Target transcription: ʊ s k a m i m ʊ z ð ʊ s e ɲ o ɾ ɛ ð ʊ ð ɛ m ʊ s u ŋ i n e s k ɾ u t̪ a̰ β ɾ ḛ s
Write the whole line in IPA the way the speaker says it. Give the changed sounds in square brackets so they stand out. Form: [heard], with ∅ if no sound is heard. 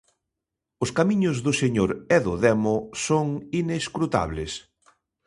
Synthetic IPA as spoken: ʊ s k a m i [ɲ] ʊ z ð ʊ s e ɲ o ɾ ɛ ð ʊ ð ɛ m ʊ s [o] ŋ i n e s k ɾ u t̪ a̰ β [l] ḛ s